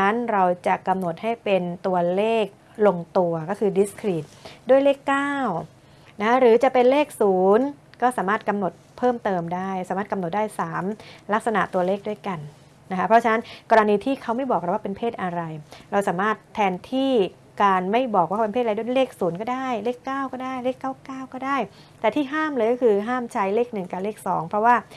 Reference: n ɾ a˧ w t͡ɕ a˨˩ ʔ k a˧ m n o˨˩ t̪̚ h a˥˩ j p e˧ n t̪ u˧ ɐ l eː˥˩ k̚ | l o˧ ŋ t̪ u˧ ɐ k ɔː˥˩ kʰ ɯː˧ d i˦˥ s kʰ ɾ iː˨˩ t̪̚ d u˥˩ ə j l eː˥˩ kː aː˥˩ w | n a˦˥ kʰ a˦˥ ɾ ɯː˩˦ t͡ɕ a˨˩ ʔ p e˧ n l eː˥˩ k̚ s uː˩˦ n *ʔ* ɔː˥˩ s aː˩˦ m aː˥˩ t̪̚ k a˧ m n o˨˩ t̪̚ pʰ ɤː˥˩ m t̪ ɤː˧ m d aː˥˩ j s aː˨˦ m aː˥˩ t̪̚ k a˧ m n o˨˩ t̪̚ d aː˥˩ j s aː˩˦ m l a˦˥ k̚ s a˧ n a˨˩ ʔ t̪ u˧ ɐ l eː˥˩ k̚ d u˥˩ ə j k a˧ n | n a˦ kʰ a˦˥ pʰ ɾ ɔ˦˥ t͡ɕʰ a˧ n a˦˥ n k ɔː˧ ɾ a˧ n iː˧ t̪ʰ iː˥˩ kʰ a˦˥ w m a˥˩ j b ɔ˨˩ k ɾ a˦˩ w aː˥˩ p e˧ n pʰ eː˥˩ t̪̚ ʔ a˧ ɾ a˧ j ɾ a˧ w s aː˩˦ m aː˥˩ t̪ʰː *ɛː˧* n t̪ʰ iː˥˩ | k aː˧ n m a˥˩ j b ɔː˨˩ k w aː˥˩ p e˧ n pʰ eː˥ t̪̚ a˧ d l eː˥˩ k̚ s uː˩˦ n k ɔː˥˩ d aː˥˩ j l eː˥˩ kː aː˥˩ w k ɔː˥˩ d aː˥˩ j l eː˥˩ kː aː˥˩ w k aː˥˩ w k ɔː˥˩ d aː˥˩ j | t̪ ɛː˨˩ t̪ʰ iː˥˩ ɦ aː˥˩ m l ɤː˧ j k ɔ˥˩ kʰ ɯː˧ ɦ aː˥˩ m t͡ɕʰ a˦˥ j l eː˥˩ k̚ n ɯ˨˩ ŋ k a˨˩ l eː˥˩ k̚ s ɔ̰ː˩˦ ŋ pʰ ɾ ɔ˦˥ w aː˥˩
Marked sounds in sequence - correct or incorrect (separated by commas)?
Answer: incorrect, correct